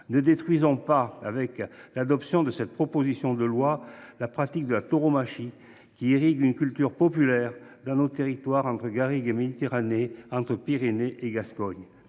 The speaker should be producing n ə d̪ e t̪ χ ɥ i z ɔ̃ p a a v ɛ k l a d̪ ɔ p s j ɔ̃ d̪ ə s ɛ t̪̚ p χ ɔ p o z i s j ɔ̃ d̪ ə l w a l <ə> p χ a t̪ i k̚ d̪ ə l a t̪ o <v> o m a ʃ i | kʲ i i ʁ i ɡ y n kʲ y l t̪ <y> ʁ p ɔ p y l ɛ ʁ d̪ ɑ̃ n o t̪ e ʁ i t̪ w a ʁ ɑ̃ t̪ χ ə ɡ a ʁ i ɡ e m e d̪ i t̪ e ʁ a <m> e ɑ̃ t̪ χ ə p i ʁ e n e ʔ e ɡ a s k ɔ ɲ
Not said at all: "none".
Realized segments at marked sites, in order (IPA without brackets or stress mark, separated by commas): a, ʁ, y, n